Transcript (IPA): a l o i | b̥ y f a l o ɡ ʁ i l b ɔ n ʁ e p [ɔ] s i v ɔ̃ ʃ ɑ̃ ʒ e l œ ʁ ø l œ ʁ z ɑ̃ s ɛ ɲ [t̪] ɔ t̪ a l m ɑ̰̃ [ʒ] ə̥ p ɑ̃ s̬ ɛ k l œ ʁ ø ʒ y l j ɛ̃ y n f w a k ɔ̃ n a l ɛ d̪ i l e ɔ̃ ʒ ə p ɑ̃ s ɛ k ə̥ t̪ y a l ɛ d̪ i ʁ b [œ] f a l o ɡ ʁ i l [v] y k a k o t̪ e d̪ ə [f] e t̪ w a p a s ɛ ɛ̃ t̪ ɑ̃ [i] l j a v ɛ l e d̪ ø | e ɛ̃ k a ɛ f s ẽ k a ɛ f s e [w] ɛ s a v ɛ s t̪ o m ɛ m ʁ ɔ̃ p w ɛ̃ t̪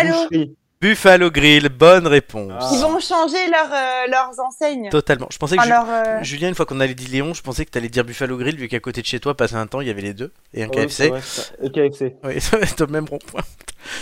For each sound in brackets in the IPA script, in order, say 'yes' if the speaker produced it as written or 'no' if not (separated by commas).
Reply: no, yes, yes, no, yes, no, yes, yes